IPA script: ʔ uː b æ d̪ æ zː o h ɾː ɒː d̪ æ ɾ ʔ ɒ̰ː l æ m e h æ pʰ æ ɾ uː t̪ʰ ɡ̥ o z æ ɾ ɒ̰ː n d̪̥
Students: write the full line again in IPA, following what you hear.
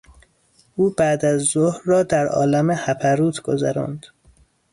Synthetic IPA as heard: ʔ uː b æ d̪ æ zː o h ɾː ɒː d̪ æ ɾ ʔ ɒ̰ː l æ m e h æ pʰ æ ɾ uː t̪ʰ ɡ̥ o z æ ɾ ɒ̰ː n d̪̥